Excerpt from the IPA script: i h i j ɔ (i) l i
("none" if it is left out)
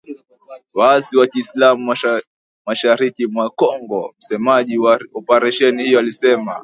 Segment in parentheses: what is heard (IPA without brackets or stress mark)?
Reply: a